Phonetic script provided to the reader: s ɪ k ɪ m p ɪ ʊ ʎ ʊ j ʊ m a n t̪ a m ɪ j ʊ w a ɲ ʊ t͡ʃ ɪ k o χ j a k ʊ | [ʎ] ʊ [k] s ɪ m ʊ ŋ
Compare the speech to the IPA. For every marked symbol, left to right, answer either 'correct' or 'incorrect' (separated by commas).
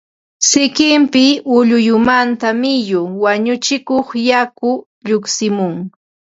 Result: correct, correct